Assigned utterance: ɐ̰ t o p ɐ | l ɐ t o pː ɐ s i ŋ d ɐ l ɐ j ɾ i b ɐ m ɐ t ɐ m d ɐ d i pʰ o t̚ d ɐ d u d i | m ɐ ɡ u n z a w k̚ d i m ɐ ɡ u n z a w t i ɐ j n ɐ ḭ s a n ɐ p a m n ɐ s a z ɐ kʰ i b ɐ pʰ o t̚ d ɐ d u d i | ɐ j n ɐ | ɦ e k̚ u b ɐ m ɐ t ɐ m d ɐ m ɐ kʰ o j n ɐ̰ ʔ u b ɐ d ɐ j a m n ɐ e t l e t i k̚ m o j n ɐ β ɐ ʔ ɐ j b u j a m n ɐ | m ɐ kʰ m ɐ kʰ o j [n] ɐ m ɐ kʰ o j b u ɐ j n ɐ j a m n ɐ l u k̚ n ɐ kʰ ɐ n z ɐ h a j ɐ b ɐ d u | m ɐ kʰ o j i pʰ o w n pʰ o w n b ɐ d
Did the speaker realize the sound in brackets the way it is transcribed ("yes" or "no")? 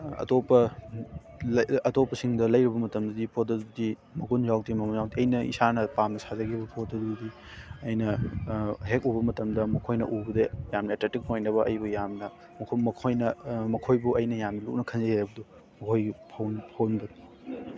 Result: yes